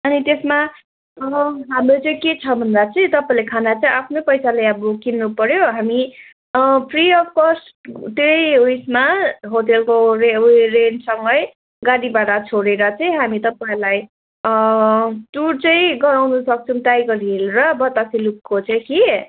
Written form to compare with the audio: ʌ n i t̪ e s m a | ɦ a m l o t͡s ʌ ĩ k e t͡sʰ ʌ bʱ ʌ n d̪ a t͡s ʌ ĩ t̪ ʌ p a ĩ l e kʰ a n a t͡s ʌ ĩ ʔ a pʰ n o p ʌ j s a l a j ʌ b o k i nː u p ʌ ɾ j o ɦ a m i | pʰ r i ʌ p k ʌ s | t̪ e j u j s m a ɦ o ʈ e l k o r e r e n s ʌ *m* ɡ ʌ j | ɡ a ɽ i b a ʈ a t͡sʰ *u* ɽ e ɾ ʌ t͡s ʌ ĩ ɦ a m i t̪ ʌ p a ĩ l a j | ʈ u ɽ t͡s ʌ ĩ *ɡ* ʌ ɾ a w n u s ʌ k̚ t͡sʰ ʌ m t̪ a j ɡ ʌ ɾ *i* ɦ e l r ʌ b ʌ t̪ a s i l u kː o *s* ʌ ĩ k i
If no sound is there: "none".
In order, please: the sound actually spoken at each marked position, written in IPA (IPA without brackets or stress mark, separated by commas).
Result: ŋ, o, ɡ, i, t͡s